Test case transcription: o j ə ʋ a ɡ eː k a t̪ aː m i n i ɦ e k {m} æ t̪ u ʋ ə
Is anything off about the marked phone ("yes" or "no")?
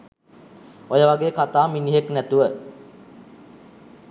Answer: yes